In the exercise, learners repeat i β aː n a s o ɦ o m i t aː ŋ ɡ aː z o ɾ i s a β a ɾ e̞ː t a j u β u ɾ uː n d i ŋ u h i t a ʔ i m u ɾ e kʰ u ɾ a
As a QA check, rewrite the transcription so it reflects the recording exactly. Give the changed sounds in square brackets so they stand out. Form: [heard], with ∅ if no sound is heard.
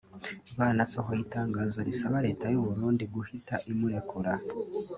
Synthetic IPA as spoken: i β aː n a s o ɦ o [∅] i t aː ŋ ɡ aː z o ɾ i s a β a ɾ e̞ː t a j u β u ɾ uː n d i [ɡ] u h i t a ʔ i m u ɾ e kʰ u ɾ a